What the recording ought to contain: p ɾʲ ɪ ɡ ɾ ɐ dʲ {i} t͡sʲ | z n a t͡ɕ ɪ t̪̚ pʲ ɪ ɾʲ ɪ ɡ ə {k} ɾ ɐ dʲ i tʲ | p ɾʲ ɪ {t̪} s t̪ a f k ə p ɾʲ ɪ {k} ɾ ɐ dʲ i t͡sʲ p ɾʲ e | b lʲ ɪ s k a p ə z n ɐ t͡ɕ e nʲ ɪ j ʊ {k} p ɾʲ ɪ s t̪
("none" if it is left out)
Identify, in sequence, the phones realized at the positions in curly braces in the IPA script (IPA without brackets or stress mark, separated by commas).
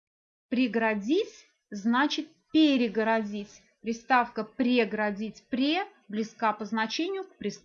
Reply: i, none, none, ɡ, k